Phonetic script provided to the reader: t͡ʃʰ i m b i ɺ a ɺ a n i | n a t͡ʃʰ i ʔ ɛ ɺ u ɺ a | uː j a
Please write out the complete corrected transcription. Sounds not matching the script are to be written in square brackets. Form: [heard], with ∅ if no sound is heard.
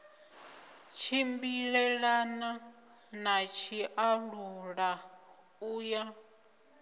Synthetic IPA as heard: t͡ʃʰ i m b i ɺ [ɛ] ɺ a n [a] | n a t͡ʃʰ i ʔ [a] ɺ u ɺ a | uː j a

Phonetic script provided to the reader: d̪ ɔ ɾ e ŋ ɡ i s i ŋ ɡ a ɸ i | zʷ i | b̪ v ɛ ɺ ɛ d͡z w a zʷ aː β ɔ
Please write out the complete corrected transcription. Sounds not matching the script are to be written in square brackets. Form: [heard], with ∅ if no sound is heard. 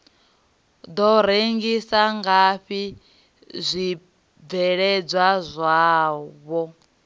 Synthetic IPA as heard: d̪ ɔ ɾ e ŋ ɡ i s [a] ŋ ɡ a ɸ i | zʷ i | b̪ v ɛ ɺ ɛ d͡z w a zʷ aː β ɔ

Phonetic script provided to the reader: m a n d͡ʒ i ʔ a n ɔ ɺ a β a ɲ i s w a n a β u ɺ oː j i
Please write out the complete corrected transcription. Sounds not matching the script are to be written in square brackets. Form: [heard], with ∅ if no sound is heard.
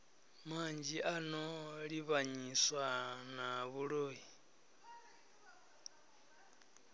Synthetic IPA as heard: m a n d͡ʒ i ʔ a n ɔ ɺ [i] β a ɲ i s w a n a β u ɺ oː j i

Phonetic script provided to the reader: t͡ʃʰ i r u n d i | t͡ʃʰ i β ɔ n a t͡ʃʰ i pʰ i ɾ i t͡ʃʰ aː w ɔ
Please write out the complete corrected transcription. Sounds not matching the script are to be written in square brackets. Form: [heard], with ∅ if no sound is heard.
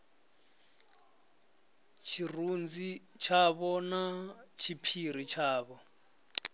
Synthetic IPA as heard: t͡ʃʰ i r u n [d͡z] i | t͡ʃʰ [a] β ɔ n a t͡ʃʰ i pʰ i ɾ i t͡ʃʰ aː [β] ɔ

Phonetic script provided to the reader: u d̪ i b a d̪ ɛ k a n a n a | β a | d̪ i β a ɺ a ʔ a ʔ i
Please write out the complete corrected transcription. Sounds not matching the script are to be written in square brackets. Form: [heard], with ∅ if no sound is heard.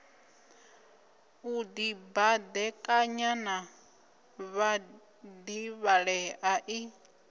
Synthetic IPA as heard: u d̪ i b a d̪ ɛ [kʼ] a [ɲ] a n a | β a | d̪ i β a ɺ [ɛ] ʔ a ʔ i

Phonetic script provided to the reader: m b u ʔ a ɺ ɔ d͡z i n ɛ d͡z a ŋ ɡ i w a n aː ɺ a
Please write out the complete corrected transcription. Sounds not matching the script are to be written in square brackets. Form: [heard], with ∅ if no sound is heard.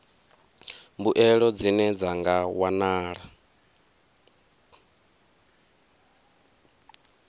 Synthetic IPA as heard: m b u ʔ [ɛ] ɺ ɔ d͡z i n ɛ d͡z a ŋ ɡ [a] w a n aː ɺ a

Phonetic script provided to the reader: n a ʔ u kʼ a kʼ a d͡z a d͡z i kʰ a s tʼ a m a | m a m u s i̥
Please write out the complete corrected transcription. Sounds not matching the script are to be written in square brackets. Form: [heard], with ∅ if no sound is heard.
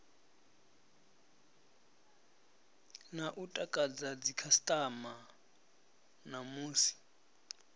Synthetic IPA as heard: n a ʔ u [tʼ] a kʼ a d͡z a d͡z i kʰ a s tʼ a m a | [n] a m [uː] s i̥

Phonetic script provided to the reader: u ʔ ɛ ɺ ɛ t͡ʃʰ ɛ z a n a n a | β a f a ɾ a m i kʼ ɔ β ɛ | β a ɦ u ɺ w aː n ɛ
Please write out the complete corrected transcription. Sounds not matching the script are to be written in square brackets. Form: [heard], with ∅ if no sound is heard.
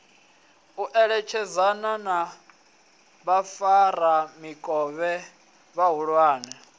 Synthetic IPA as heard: u ʔ ɛ ɺ ɛ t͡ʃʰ ɛ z a n a n a | β a f a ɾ a m i kʼ ɔ β ɛ | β a ɦ u ɺ w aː n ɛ

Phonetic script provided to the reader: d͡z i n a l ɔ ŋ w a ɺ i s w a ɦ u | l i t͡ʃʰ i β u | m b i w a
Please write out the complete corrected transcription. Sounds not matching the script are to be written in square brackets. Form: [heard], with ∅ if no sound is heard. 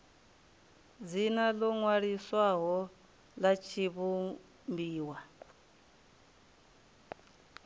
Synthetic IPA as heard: d͡z i n a l ɔ ŋ w a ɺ i s w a ɦ [ɔ] | l [a] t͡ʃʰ i β u | m b [iː] w a

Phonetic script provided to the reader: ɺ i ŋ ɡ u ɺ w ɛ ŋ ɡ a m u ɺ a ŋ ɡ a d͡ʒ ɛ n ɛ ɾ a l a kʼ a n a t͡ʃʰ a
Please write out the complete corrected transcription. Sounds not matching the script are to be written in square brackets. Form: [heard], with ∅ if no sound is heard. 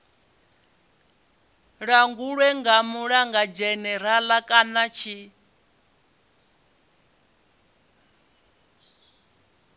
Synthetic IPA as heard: ɺ [a] ŋ ɡ u ɺ w ɛ ŋ ɡ a m u ɺ a ŋ ɡ a d͡ʒ ɛ n ɛ ɾ a l a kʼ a n a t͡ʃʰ [i]

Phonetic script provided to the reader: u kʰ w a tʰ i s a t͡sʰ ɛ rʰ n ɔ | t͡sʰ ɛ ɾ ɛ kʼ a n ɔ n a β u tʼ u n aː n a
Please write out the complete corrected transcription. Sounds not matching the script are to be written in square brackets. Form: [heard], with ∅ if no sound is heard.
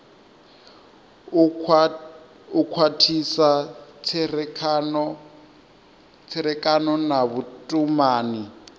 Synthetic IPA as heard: u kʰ w a tʰ i s a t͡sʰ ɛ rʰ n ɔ | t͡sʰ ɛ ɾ ɛ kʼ a n ɔ n a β u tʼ u [m] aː n [i]

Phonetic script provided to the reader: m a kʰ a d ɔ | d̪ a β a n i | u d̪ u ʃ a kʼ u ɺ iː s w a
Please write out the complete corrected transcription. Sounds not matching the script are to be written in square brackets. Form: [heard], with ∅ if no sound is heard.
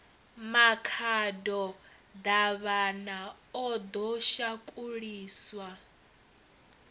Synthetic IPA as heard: m a kʰ a d ɔ | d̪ a β a n [a] | [ɔ] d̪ [ɔ] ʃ a kʼ u ɺ iː s w a

